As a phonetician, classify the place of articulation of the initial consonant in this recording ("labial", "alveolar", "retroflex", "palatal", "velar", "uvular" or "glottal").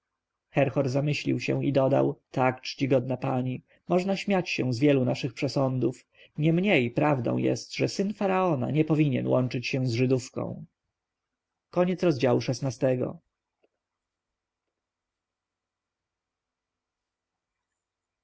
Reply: velar